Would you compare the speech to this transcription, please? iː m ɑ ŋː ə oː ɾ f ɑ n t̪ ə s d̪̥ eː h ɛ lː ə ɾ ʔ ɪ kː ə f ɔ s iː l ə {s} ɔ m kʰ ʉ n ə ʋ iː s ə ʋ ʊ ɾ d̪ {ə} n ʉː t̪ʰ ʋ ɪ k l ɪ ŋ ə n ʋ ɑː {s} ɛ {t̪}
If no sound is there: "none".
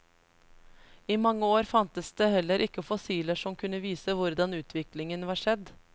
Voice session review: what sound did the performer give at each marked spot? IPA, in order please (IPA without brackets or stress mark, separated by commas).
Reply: ʂ, ɑ, ʂ, d̪